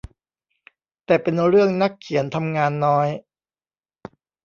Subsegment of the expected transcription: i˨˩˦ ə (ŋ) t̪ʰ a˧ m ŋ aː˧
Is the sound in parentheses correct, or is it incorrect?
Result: incorrect: n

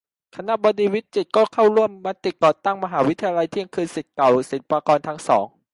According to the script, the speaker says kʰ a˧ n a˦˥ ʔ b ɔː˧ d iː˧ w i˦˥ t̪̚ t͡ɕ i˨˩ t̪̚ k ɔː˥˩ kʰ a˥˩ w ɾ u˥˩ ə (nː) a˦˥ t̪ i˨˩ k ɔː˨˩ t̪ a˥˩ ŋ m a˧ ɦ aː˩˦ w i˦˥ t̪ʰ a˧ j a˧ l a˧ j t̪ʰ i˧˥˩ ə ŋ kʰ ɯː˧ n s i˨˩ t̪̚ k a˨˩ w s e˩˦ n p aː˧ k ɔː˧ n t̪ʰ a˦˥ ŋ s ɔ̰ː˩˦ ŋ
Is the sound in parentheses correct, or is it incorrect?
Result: incorrect: mː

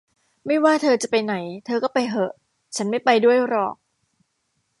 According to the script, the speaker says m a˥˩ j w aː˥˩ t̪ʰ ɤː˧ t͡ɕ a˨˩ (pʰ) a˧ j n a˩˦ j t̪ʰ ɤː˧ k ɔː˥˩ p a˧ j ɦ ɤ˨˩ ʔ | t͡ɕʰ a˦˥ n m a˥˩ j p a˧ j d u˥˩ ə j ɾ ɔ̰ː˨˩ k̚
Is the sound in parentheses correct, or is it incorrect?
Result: incorrect: p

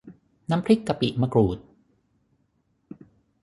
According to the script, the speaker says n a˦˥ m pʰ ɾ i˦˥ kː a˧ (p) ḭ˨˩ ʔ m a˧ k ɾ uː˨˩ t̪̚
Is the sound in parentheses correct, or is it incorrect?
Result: correct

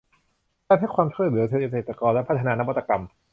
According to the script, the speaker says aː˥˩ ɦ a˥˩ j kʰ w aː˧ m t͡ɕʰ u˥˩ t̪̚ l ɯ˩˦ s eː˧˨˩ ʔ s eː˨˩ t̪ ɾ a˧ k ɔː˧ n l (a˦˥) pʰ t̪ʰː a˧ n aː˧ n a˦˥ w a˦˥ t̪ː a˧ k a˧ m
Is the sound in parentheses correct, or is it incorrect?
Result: incorrect: ɛ˦˥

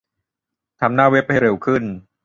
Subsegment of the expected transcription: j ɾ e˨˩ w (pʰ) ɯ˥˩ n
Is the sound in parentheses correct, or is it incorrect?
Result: incorrect: kʰ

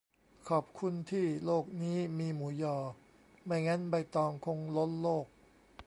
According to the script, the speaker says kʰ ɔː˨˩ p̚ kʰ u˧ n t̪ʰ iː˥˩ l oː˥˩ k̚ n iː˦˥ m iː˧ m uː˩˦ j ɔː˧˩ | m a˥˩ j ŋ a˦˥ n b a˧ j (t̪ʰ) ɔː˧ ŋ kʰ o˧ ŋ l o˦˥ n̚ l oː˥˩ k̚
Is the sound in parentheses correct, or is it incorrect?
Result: incorrect: t̪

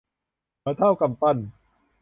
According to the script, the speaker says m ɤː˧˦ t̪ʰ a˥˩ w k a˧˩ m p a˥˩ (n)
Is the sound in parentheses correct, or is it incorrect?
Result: correct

